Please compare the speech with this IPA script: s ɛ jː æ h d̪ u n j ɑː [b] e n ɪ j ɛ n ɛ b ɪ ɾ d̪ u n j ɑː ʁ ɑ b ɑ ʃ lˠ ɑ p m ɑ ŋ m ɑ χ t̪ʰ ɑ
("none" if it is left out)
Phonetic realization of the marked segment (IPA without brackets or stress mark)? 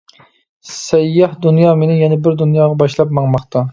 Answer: m